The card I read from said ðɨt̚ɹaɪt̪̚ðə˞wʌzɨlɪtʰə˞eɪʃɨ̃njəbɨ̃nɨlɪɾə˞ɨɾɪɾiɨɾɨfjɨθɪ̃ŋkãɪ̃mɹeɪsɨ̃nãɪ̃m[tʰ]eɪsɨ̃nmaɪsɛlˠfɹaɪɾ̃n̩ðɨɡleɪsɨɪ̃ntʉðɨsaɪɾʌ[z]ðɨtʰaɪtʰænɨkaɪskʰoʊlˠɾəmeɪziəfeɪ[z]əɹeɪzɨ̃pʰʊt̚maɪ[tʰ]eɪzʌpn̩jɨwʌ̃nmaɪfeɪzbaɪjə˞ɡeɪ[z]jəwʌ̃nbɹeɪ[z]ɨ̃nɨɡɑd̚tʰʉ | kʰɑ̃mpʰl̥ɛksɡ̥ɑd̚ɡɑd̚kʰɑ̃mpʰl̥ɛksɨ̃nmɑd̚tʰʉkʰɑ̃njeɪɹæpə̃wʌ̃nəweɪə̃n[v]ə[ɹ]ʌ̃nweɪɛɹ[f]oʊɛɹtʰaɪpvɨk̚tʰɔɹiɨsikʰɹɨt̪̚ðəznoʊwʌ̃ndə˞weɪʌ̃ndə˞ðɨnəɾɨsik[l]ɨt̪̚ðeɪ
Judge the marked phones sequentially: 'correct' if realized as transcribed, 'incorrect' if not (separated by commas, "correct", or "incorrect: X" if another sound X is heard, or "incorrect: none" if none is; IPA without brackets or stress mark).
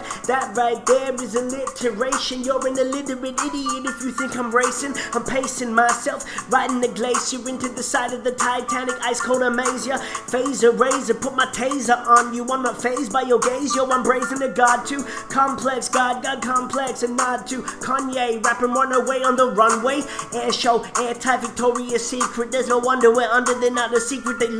incorrect: pʰ, incorrect: v, correct, correct, correct, correct, incorrect: ð, correct, incorrect: ʃ, incorrect: ɹ